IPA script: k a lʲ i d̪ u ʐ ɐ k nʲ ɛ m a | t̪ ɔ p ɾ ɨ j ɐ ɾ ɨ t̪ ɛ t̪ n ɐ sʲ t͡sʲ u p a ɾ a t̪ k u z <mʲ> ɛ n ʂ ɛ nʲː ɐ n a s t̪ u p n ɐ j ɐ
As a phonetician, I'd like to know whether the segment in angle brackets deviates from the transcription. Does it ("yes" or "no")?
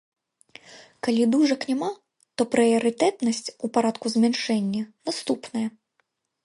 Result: no